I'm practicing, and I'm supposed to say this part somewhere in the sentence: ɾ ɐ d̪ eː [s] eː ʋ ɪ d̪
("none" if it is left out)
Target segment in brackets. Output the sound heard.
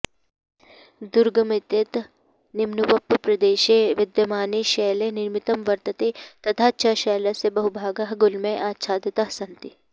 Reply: ʃ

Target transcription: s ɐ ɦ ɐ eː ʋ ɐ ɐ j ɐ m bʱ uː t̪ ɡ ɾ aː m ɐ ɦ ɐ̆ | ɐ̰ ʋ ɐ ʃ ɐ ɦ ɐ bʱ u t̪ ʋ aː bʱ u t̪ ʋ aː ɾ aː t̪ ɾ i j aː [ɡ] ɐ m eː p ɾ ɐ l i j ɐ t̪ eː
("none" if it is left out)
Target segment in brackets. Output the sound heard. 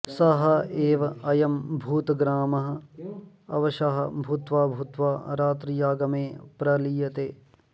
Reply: ɡ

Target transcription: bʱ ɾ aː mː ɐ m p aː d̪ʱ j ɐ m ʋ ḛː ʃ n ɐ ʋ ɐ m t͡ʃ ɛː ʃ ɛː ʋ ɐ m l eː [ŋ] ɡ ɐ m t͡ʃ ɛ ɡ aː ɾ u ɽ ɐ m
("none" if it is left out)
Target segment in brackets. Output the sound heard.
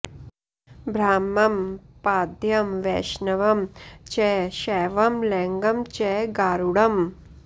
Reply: ŋ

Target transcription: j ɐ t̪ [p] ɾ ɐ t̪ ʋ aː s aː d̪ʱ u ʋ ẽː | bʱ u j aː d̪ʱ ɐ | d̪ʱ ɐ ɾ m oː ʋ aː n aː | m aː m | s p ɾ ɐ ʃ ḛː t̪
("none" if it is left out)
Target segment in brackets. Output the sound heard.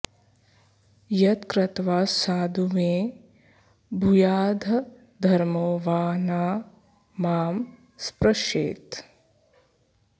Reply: k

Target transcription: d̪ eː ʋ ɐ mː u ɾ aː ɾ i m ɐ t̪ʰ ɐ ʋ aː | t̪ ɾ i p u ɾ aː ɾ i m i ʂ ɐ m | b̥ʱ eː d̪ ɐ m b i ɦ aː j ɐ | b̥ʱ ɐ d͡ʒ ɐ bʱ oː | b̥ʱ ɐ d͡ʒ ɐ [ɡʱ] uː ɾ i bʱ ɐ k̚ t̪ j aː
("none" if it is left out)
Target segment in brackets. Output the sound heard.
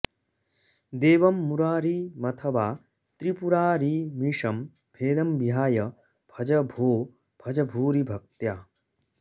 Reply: bʱ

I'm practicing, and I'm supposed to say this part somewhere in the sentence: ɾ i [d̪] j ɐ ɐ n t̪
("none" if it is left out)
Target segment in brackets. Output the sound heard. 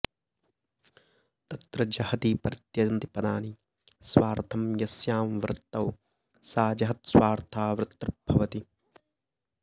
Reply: t̪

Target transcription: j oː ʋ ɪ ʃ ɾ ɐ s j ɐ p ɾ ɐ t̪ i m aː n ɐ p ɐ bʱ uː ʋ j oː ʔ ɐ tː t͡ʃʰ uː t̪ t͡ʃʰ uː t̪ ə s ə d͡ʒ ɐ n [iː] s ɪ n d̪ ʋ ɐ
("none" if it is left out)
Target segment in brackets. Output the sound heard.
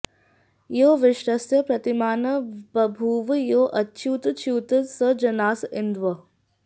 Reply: aː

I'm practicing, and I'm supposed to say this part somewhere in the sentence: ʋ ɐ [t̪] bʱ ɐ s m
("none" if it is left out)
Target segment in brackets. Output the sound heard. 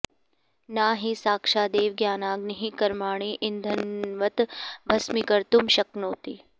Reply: t̪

